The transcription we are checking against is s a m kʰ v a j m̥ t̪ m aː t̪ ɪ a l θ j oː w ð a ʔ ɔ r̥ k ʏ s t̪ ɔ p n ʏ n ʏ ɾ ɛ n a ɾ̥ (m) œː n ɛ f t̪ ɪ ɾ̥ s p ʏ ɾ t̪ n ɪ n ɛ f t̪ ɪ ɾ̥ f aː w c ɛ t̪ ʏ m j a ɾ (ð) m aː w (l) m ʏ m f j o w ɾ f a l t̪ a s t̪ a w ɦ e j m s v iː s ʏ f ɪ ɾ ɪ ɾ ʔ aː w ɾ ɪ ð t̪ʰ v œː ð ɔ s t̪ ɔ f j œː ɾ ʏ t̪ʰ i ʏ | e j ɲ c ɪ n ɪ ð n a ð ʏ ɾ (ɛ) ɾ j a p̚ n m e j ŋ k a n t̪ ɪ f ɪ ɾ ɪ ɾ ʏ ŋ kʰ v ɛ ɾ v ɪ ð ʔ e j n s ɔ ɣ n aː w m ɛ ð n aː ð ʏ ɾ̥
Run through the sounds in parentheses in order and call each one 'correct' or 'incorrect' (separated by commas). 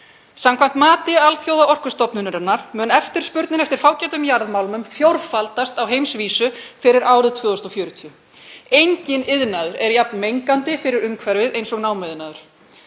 correct, correct, correct, correct